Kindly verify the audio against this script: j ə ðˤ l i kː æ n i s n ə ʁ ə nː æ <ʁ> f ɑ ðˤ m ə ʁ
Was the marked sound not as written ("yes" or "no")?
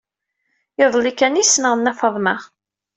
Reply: yes